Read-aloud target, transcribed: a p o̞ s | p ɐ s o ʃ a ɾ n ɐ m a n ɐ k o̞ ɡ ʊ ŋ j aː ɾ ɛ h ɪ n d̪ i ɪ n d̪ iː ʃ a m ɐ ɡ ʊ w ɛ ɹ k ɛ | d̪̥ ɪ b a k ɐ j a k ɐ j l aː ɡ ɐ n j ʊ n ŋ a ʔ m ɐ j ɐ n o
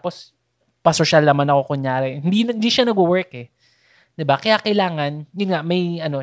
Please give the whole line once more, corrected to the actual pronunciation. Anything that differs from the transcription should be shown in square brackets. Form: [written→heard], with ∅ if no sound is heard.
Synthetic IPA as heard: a p o̞ s | p ɐ s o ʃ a [ɾ→l] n ɐ m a n ɐ k o̞ [ɡ→k] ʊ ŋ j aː ɾ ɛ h ɪ n d̪ i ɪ n d̪ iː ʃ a [m→n] ɐ ɡ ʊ w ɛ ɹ k ɛ | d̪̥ ɪ b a k ɐ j a k ɐ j l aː [ɡ→ŋ] ɐ n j ʊ n ŋ a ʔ m ɐ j ɐ n o